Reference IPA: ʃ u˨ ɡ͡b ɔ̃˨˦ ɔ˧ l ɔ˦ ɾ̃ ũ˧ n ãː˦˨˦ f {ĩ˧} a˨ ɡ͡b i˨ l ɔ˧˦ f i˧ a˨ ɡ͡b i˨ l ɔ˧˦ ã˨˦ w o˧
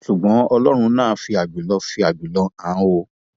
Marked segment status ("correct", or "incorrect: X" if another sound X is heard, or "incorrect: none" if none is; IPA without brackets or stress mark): incorrect: i˧